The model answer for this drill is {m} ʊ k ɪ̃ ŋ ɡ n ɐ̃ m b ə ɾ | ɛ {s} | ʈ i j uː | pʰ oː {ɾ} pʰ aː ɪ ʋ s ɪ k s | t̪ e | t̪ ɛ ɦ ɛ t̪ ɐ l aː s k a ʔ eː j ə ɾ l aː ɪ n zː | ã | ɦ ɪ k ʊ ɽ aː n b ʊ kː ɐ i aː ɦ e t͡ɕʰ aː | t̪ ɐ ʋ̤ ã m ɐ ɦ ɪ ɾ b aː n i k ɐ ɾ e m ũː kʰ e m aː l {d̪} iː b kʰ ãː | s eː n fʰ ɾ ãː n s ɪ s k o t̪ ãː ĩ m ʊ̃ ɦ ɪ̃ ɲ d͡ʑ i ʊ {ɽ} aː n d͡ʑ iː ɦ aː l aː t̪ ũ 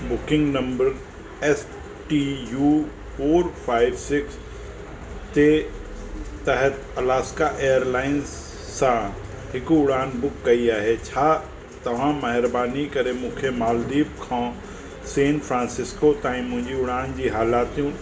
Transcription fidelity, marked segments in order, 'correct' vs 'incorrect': incorrect, correct, correct, correct, correct

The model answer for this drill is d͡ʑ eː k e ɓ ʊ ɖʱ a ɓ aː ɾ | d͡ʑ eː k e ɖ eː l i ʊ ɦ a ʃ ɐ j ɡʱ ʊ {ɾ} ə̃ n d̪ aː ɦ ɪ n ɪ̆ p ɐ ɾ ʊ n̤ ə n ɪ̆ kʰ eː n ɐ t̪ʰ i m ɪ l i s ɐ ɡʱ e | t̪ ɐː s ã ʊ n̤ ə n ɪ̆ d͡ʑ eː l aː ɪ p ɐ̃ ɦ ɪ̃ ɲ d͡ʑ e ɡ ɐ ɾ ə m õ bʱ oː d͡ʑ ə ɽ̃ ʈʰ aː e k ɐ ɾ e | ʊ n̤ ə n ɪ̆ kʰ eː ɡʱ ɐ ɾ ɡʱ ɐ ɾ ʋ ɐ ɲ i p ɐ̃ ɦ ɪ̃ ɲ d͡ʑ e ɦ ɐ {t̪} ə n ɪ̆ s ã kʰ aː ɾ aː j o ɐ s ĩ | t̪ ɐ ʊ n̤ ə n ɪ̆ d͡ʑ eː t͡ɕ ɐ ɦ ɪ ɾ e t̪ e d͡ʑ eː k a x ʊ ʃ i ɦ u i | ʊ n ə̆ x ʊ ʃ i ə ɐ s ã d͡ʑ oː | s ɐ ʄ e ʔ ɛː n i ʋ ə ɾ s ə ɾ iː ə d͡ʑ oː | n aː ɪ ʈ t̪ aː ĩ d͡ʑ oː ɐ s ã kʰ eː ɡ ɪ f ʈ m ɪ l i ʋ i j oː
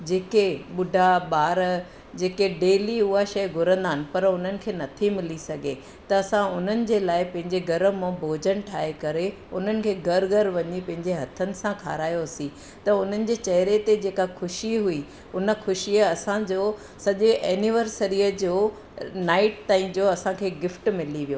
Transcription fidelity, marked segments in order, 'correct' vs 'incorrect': correct, incorrect

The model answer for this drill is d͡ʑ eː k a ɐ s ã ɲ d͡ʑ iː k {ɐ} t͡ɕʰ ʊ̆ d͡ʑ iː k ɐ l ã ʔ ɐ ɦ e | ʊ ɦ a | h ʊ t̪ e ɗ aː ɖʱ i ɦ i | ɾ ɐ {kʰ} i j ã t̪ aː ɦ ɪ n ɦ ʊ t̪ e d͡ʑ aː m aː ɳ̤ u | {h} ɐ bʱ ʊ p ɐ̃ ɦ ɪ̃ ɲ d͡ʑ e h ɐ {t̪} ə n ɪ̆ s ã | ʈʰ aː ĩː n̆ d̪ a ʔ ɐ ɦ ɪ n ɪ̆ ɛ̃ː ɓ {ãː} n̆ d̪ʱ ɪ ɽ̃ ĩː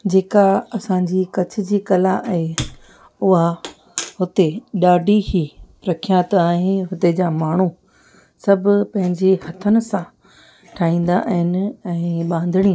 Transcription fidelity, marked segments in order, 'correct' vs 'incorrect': correct, correct, incorrect, incorrect, correct

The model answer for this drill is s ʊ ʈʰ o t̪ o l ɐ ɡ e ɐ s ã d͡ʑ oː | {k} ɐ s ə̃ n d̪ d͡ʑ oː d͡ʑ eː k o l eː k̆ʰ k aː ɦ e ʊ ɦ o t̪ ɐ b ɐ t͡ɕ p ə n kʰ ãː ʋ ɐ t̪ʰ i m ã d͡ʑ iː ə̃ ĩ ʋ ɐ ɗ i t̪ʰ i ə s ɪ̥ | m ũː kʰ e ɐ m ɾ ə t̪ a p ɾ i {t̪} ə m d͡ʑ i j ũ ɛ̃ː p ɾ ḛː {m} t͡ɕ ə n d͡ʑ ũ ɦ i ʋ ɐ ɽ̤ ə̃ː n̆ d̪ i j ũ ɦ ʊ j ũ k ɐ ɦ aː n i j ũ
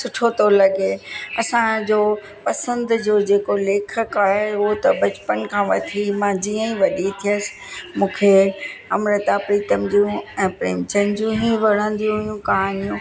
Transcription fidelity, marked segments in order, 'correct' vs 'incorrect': incorrect, correct, correct

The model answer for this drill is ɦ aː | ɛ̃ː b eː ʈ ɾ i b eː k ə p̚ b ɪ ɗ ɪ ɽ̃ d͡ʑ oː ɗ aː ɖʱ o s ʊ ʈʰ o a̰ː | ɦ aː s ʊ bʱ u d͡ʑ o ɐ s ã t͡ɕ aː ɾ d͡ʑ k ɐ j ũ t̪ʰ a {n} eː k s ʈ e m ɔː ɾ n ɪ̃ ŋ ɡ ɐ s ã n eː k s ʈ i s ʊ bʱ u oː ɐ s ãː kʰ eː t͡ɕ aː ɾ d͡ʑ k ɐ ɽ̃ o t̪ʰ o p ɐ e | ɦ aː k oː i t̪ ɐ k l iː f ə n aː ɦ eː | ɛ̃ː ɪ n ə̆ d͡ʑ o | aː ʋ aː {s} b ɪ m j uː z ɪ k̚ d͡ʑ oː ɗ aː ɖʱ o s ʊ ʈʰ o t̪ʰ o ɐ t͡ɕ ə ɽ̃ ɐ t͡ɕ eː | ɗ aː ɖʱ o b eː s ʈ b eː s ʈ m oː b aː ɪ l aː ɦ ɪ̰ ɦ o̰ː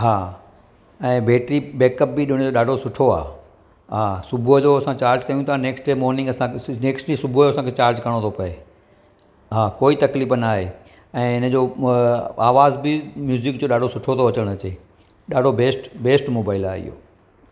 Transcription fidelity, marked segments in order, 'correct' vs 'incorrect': correct, incorrect

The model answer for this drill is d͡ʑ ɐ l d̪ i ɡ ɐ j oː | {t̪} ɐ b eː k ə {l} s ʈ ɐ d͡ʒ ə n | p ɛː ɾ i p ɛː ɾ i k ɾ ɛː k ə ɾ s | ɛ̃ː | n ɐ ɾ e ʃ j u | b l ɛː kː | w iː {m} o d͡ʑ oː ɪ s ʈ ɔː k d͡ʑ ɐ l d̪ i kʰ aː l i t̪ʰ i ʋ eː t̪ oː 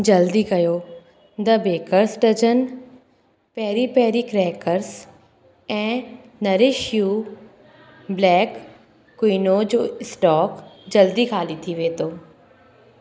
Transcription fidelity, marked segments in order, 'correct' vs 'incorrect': incorrect, incorrect, incorrect

